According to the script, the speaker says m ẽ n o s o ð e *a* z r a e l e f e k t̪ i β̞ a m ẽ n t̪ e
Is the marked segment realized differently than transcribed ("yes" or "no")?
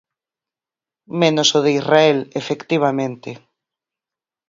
yes